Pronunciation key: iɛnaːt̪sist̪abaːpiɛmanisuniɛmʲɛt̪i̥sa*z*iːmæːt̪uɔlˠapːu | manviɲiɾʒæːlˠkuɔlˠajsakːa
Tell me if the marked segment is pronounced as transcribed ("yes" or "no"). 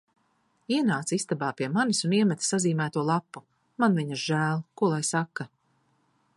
yes